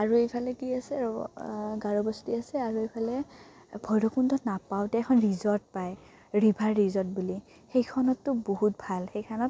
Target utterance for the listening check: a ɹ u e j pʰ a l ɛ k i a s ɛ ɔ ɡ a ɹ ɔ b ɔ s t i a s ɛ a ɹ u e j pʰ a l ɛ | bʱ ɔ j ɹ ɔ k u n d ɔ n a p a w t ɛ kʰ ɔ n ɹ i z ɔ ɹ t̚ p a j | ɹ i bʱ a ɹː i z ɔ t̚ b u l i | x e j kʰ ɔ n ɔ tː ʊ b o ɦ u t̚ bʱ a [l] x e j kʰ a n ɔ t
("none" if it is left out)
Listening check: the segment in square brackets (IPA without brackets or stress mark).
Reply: l